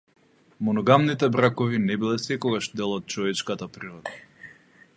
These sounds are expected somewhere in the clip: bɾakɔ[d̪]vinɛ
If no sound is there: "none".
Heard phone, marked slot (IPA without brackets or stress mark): none